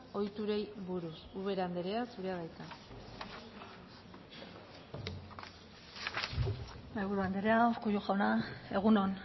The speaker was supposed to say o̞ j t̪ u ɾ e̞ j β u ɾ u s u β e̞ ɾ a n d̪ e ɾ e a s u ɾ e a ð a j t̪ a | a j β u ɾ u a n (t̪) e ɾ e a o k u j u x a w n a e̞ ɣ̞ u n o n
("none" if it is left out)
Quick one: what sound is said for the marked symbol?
d̪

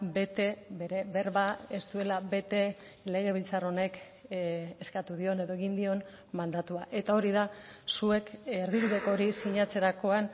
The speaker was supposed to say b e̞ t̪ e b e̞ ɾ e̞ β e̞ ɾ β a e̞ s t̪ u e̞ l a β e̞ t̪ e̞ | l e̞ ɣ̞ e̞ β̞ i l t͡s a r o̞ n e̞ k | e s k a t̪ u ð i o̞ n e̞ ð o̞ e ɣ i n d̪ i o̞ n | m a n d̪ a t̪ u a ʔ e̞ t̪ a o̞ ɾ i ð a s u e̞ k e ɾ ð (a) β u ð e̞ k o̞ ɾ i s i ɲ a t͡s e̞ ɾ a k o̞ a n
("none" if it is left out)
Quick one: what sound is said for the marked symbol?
i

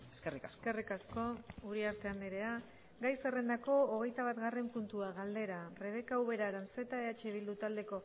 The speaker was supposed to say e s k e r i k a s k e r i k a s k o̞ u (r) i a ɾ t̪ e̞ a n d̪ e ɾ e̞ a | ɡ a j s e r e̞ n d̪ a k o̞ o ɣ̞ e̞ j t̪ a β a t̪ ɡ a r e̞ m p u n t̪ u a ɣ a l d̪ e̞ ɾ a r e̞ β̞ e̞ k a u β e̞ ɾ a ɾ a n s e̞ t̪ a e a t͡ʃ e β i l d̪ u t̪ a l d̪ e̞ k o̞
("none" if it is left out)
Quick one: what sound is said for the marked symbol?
ɾ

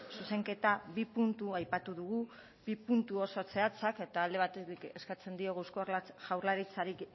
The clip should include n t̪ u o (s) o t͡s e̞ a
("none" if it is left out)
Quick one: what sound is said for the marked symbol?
s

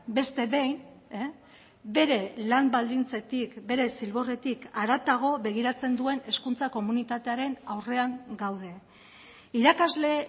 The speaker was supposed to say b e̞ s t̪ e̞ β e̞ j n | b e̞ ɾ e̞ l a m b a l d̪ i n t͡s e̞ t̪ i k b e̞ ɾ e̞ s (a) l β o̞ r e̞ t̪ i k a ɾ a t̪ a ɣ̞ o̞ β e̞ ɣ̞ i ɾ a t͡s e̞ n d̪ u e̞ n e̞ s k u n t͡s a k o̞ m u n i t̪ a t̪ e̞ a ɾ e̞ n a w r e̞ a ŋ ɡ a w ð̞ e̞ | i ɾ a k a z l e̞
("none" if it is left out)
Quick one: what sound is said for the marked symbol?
i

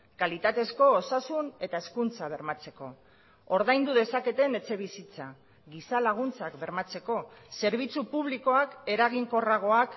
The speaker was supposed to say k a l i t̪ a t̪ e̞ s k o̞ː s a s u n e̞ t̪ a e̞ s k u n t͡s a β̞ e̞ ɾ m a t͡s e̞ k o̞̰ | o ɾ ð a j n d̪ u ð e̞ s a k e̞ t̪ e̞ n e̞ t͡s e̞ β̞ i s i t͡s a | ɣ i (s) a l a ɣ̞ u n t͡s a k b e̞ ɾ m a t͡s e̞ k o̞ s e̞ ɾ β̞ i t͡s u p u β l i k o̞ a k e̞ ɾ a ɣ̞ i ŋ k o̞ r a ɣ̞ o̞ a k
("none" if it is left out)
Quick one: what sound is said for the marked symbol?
s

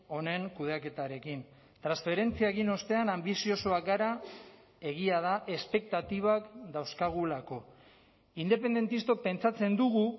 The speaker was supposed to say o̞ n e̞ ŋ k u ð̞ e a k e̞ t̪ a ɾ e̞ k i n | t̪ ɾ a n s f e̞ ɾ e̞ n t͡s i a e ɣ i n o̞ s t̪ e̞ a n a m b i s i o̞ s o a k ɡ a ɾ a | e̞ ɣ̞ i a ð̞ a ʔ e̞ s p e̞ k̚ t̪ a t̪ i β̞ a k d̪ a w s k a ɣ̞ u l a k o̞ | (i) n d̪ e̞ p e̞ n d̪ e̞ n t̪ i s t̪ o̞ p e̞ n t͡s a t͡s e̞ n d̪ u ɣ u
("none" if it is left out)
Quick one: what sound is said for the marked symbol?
i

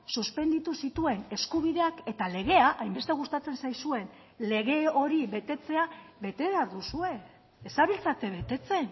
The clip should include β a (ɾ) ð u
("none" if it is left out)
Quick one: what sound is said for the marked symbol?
ɾ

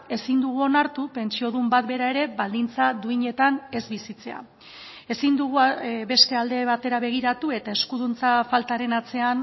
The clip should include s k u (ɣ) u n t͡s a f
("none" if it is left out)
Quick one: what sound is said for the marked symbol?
ð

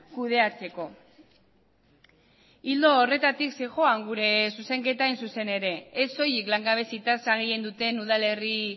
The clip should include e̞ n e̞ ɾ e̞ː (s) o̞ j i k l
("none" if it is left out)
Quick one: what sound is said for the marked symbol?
s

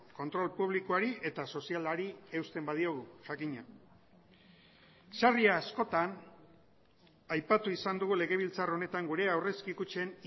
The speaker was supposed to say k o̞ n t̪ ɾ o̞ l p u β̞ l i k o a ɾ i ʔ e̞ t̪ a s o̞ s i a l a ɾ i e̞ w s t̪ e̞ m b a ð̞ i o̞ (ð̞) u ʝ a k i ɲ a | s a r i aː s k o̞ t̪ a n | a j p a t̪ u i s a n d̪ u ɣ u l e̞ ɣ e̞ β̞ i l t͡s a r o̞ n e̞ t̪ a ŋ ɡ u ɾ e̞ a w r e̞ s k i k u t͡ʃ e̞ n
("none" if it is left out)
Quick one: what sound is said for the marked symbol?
ɣ̞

